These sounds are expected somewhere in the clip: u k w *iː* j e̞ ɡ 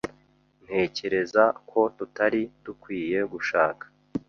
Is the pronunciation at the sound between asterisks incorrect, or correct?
correct